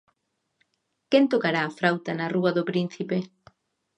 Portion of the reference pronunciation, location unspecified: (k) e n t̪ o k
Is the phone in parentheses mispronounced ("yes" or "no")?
no